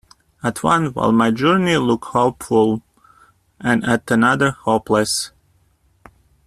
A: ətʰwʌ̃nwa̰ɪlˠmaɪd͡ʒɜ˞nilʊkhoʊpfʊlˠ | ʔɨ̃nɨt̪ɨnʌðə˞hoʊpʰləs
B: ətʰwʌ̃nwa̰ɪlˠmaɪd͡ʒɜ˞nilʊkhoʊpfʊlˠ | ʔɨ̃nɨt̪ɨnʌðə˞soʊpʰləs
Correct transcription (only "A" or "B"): A